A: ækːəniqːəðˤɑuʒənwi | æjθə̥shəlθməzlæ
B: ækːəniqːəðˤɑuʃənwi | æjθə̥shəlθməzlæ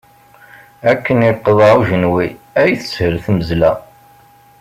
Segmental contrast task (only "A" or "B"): A